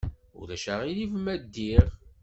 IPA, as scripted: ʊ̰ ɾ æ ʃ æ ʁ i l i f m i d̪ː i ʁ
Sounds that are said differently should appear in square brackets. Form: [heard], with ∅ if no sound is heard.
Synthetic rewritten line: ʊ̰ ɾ æ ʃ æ ʁ i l i [v] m [æ] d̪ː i ʁ